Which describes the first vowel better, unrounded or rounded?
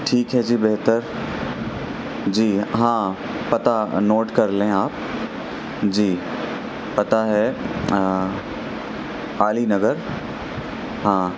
unrounded